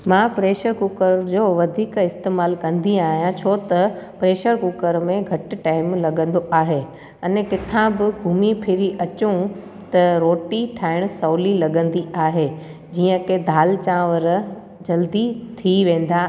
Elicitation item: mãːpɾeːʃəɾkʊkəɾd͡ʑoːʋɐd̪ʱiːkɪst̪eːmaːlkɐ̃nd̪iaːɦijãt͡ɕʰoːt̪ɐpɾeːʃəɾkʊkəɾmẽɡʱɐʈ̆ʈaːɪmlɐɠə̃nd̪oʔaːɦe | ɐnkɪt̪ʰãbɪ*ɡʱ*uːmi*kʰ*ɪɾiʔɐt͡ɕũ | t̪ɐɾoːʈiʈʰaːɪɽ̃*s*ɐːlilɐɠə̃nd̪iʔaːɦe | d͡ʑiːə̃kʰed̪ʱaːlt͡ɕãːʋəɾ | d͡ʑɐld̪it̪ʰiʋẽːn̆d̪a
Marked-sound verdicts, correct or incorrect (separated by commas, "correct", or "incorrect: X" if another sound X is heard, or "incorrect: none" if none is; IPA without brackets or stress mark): correct, incorrect: pʰ, correct